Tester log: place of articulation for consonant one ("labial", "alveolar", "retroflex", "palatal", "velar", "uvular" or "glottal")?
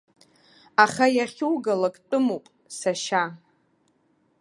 uvular